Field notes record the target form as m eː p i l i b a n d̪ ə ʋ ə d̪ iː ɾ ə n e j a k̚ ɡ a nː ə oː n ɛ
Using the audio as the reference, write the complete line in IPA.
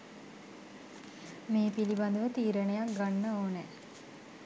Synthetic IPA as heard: m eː p i l i b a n d̪ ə ʋ ə t̪ iː ɾ ə n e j a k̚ ɡ a nː ə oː n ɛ